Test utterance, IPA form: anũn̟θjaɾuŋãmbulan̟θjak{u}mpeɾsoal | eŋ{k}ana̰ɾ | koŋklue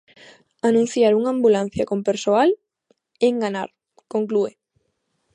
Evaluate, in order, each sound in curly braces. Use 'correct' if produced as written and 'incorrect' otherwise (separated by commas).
incorrect, incorrect